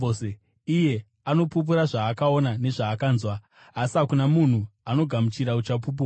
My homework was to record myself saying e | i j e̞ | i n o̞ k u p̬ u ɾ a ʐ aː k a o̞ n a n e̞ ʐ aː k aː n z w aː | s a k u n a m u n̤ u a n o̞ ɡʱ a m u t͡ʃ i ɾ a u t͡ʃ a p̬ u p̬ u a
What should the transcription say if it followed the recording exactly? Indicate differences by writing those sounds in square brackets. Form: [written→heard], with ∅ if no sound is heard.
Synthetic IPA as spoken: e | i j e̞ | [i→a] n o̞ [k→p] u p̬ u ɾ a ʐ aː k a o̞ n a n e̞ ʐ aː k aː n z w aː | s a k u n a m u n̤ u a n o̞ ɡʱ a m u t͡ʃ i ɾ a u t͡ʃ a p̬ u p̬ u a